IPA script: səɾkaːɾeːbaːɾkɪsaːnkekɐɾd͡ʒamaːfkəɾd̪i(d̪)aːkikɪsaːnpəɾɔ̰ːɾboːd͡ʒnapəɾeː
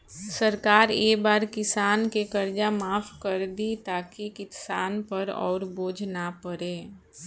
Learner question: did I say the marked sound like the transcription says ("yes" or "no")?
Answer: no